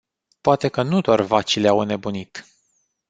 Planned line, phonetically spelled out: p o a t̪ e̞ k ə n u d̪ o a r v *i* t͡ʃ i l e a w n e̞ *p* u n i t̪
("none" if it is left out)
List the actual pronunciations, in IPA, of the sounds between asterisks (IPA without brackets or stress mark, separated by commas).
a, b